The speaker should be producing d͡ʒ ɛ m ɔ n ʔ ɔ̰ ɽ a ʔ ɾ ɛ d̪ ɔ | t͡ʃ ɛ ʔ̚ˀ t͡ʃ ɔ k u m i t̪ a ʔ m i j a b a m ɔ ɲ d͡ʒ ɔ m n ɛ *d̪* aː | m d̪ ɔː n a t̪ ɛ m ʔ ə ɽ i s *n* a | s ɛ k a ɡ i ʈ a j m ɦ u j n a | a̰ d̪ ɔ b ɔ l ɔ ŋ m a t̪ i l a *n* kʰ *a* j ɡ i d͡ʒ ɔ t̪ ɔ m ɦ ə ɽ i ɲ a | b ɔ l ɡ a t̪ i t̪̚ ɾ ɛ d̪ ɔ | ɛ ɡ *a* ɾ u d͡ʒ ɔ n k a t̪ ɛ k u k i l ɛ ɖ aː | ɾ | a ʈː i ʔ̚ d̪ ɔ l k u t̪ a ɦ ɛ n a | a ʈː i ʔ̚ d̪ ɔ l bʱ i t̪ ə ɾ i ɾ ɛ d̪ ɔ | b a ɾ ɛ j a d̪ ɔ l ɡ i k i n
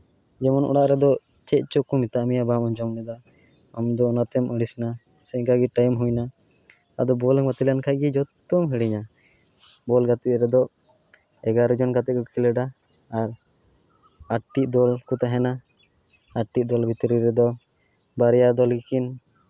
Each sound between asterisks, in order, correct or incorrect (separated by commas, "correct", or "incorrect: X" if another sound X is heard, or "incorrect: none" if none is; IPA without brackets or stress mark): correct, correct, correct, correct, correct